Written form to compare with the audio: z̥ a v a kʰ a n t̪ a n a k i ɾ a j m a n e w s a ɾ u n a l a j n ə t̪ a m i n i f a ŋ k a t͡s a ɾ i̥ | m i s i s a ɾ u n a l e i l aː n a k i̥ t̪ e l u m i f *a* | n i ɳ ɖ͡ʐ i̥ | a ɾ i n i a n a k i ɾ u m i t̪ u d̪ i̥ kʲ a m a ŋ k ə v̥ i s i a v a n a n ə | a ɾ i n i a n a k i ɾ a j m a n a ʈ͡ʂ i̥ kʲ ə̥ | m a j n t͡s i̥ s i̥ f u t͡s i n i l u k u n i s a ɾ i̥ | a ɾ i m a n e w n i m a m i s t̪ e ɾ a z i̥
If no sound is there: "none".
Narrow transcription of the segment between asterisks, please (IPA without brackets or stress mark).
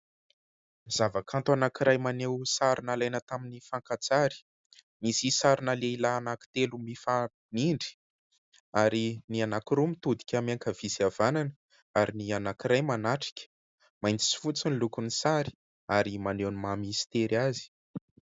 a